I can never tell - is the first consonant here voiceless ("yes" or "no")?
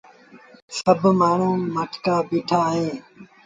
yes